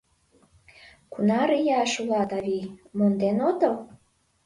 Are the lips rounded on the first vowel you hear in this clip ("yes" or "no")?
yes